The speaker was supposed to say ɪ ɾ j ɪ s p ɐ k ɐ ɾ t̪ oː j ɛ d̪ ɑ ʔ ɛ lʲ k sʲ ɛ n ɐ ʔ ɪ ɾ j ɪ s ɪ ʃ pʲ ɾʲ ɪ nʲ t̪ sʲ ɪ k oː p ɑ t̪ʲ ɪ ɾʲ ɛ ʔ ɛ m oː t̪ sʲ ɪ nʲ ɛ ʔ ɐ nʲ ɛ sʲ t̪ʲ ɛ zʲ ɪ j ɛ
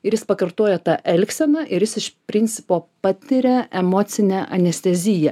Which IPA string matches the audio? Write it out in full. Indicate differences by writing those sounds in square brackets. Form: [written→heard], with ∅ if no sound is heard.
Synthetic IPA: ɪ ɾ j ɪ s p ɐ k ɐ ɾ t̪ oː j ɛ [d̪→t̪] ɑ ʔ ɛ lʲ k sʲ ɛ n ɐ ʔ ɪ ɾ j ɪ s ɪ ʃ pʲ ɾʲ ɪ nʲ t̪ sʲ ɪ [k→p] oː p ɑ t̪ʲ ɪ ɾʲ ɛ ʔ ɛ m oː t̪ sʲ ɪ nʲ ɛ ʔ ɐ nʲ ɛ sʲ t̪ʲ ɛ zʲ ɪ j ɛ